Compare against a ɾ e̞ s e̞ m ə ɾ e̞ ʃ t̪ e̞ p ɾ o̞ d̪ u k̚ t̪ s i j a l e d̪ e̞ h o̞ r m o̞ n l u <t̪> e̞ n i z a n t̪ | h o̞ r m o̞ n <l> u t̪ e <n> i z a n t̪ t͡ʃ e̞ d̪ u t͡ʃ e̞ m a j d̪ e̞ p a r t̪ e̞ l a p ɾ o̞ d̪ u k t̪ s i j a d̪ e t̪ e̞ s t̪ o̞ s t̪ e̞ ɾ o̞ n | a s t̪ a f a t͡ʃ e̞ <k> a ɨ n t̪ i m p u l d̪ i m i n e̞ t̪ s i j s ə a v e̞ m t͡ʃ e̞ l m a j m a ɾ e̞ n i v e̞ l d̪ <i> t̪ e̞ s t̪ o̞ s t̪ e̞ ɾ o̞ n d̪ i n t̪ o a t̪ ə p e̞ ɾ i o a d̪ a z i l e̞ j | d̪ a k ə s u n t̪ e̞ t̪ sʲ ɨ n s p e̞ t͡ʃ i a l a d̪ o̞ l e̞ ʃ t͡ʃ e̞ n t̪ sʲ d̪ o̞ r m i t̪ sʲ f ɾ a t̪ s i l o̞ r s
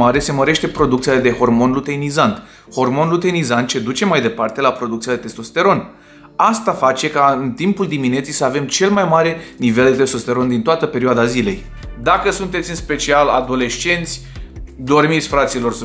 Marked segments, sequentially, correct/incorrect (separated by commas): correct, correct, correct, correct, incorrect